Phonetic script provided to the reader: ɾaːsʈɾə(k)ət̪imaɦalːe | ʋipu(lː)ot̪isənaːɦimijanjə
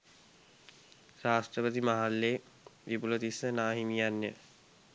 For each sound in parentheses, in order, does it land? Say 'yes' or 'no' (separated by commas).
no, no